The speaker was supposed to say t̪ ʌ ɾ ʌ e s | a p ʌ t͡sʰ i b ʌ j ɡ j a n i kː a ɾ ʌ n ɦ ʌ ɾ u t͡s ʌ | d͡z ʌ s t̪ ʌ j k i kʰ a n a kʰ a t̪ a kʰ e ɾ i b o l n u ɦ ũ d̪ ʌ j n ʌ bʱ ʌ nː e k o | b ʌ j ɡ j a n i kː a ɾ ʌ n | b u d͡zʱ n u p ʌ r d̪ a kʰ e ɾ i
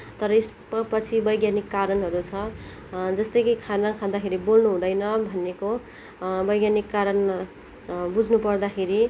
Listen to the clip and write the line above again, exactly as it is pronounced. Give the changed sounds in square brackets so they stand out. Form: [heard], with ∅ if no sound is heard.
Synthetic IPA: t̪ ʌ ɾ ʌ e s | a p ʌ t͡sʰ i b ʌ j ɡ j a n i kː a ɾ ʌ n ɦ ʌ ɾ u [t͡sʰ] ʌ | d͡z ʌ s t̪ ʌ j k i kʰ a n a kʰ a [d̪] a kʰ e ɾ i b o l n u ɦ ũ d̪ ʌ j n ʌ bʱ ʌ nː e k o | b ʌ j ɡ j a n i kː a ɾ ʌ n | b u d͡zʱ n u p ʌ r d̪ a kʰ e ɾ i